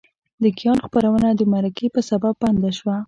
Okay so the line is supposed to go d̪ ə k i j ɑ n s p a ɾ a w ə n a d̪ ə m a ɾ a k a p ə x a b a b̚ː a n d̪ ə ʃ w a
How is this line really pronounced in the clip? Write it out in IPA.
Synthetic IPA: d̪ ə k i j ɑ n x p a ɾ a w ə n a d̪ ə m a ɾ a k e p ə s a b a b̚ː a n d̪ a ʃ w a